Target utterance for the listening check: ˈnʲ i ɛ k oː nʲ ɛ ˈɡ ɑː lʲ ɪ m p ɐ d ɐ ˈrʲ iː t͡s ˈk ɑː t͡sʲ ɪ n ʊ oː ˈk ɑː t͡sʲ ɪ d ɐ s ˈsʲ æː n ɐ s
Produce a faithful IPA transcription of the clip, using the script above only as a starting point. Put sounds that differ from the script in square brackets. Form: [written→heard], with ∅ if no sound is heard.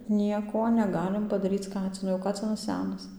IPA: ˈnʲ i ɛ k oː nʲ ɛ ˈɡ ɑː lʲ ɪ m p ɐ d ɐ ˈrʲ iː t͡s ˈk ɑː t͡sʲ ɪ n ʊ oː ˈk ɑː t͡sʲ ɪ [d→n] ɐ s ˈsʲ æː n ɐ s